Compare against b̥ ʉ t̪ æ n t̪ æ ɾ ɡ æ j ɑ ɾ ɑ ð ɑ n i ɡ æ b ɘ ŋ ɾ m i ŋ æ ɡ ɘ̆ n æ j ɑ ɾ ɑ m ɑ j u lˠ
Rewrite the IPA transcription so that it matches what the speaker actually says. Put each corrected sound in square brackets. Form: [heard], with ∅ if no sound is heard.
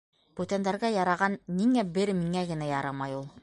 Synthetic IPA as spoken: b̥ ʉ t̪ æ n [d̪] æ ɾ ɡ æ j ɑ ɾ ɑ [ʁ] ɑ [nː] i [ŋ] æ b ɘ [∅] ɾ m i ŋ æ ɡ ɘ̆ n æ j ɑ ɾ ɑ m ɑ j u lˠ